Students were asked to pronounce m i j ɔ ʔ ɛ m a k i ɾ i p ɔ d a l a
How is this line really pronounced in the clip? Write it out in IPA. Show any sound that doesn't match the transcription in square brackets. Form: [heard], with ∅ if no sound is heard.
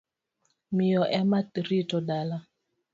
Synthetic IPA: m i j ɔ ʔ ɛ m a [t] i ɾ i [t] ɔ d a l a